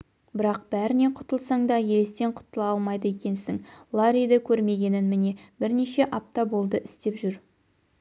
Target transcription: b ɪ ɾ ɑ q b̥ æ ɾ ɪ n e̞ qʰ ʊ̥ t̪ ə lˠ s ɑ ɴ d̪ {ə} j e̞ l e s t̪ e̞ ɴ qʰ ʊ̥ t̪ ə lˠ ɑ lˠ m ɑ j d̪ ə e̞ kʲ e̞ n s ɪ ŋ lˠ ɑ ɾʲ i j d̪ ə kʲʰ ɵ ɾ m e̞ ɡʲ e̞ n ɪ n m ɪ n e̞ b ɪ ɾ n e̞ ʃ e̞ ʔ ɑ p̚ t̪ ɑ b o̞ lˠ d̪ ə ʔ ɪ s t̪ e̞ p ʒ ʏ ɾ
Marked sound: incorrect: ɑ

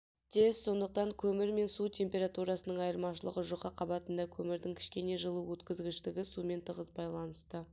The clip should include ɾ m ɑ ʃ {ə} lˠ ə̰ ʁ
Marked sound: correct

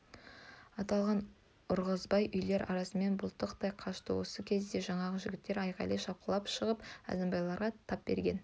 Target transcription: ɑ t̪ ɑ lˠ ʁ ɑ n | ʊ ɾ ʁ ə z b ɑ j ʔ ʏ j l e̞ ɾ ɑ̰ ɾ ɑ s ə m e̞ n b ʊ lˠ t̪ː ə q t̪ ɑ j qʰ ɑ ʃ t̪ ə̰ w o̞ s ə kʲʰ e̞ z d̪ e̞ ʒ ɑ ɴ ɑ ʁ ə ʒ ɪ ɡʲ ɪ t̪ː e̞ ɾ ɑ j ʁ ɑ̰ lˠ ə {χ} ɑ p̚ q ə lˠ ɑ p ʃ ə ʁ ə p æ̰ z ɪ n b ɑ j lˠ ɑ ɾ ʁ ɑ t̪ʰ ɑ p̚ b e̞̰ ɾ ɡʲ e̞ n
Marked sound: incorrect: ʃ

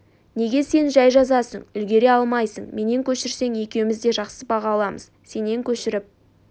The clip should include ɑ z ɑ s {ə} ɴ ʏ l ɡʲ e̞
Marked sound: correct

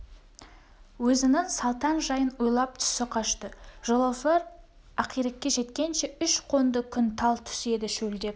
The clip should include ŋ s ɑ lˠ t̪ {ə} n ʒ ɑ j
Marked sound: incorrect: ɑ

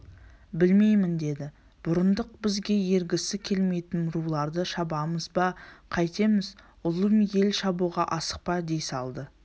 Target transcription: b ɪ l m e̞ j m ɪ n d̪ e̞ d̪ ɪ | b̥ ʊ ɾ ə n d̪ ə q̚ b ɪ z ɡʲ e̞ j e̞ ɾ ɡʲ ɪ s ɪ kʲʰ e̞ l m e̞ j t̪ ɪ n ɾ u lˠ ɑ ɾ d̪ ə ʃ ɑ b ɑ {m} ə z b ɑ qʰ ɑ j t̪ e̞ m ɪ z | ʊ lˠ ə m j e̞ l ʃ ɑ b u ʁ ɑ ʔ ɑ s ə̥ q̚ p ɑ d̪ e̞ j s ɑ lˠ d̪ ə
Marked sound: correct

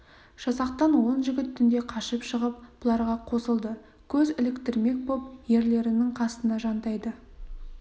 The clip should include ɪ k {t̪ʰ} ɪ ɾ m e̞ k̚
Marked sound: incorrect: t̪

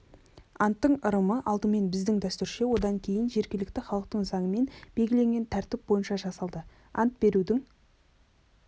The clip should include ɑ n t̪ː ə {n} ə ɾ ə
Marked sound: incorrect: ɴ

